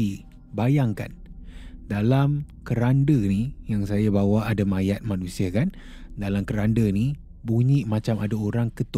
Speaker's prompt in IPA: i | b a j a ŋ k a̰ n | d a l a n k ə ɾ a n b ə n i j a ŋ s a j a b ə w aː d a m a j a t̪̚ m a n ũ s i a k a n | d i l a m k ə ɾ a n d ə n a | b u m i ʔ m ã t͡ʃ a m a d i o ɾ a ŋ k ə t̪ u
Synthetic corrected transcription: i | b a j a ŋ k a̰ n | d a l a m k ə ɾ a n d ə n i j a ŋ s a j a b a w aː d a m a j a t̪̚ m a n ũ s i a k a n | d a l a m k ə ɾ a n d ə n i | b u ɲ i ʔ m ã t͡ʃ a m a d a o ɾ a ŋ k ə t̪ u